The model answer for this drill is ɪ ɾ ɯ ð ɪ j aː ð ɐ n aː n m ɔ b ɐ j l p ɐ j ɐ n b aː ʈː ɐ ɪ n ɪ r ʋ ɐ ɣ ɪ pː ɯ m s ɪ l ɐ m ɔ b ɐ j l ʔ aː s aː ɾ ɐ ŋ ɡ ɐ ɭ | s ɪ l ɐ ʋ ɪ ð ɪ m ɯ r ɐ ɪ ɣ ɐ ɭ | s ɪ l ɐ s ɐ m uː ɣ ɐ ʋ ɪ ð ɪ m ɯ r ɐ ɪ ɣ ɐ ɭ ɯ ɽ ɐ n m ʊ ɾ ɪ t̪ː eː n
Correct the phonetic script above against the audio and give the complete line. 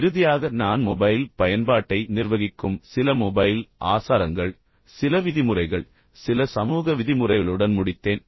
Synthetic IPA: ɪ ɾ ɯ ð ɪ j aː ɣ ɐ n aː n m ɔ b ɐ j l p ɐ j ɐ n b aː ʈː ɐ ɪ n ɪ r ʋ ɐ ɣ ɪ kː ɯ m s ɪ l ɐ m ɔ b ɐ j l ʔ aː s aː ɾ ɐ ŋ ɡ ɐ ɭ | s ɪ l ɐ ʋ ɪ ð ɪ m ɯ r ɐ ɪ ɣ ɐ ɭ | s ɪ l ɐ s ɐ m uː ɣ ɐ ʋ ɪ ð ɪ m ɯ r ɐ ɪ ɣ ɐ ɭ ɯ ɽ ɐ n m ʊ ɽ ɪ t̪ː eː n